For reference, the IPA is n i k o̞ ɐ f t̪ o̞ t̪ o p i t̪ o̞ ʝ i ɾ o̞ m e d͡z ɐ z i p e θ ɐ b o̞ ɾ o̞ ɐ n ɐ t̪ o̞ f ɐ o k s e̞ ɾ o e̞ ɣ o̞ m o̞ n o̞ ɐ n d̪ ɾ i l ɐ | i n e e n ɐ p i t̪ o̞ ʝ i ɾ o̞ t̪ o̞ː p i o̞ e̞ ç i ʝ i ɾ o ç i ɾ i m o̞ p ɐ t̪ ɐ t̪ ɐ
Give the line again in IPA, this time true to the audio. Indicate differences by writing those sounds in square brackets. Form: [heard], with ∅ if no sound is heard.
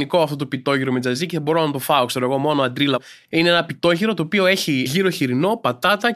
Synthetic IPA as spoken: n i k o̞ ɐ f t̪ o̞ t̪ o p i t̪ o̞ ʝ i ɾ o̞ m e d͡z ɐ z i [c] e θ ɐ b o̞ ɾ o̞ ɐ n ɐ t̪ o̞ f ɐ o k s e̞ ɾ o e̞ ɣ o̞ m o̞ n o̞ ɐ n d̪ ɾ i l ɐ | i n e e n ɐ p i t̪ o̞ ʝ i ɾ o̞ t̪ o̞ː p i o̞ e̞ ç i ʝ i ɾ o ç i ɾ i [n] o̞ p ɐ t̪ ɐ t̪ ɐ